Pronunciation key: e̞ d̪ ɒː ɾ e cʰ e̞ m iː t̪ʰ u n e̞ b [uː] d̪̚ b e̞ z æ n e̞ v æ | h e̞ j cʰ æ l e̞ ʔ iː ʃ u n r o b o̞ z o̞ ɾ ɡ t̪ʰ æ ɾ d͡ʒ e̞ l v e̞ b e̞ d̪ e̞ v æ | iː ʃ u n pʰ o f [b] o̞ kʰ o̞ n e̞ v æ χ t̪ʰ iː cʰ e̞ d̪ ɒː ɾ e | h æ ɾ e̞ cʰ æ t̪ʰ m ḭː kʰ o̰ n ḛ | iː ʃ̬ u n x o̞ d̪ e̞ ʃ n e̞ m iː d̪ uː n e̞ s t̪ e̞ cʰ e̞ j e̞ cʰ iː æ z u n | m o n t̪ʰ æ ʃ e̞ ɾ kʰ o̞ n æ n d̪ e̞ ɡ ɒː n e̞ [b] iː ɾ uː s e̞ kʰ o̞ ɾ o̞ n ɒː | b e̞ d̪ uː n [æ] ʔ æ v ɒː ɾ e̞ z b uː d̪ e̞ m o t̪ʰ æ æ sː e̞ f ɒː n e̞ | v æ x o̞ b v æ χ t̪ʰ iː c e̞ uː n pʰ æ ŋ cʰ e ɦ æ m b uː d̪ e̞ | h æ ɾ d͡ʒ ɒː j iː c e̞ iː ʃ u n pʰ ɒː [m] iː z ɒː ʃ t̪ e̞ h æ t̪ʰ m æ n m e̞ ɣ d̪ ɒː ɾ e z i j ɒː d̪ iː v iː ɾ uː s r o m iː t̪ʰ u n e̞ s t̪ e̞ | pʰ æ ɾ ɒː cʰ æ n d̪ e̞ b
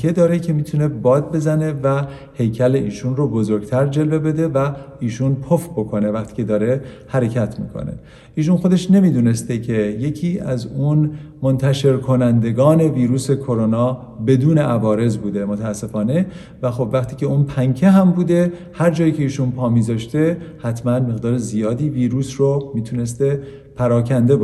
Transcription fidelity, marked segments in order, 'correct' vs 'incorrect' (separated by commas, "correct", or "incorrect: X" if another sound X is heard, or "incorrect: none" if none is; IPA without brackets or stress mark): incorrect: ɒː, correct, incorrect: v, incorrect: e, correct